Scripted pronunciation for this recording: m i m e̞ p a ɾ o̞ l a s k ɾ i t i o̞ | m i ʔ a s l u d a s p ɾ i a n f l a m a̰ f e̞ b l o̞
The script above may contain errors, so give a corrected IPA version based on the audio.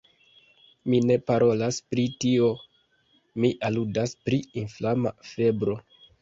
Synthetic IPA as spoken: m i n e̞ p a ɾ o̞ l a s p ɾ i t i o̞ | m i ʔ a l u d a s p ɾ i i n f l a m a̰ f e̞ b ɾ o̞